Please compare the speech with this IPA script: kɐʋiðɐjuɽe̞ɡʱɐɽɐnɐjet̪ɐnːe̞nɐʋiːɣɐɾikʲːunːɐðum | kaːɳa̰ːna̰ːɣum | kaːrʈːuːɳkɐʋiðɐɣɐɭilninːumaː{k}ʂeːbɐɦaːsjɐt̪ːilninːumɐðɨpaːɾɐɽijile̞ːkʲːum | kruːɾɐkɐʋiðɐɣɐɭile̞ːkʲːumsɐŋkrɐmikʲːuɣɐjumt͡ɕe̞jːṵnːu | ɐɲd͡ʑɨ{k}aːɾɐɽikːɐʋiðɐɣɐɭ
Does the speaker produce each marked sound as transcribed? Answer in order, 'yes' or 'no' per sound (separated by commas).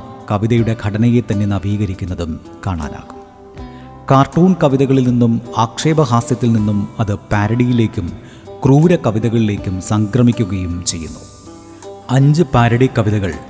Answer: yes, no